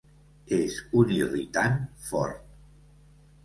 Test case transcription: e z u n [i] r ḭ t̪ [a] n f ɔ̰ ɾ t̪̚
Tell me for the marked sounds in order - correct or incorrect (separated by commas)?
correct, correct